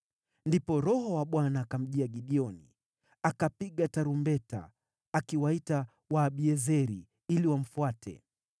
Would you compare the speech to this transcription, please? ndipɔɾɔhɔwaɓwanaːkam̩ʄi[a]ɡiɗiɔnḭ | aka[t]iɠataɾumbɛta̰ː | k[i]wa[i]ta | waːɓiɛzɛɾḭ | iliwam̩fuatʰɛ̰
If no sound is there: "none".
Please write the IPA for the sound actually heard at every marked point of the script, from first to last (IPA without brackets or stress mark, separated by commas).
a, p, i, i